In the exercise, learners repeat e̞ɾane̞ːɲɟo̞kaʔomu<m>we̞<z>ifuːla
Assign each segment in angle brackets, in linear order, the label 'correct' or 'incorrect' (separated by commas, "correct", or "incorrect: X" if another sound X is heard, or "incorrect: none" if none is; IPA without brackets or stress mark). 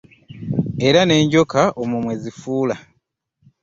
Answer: correct, correct